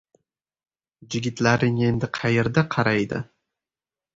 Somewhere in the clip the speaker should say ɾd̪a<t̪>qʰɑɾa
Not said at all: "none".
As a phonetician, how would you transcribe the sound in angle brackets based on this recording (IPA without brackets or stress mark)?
none